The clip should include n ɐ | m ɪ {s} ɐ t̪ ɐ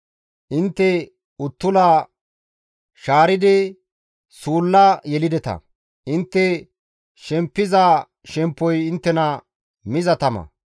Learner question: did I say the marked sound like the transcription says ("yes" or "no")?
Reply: no